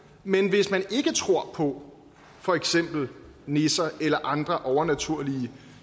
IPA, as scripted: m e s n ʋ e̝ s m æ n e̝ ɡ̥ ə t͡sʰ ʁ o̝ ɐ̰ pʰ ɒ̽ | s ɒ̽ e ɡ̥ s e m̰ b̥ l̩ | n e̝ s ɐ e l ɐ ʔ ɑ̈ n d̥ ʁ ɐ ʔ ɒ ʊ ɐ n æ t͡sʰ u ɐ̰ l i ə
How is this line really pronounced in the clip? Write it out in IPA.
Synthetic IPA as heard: m e n ʋ e̝ s m æ n e̝ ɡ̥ ə t͡sʰ ʁ o̝ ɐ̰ pʰ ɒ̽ | f ɒ̽ e ɡ̥ s e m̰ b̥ l̩ | n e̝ s ɐ e l ɐ ʔ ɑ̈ n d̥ ʁ ɐ ʔ ɒ ʊ ɐ n æ t͡sʰ u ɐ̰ l i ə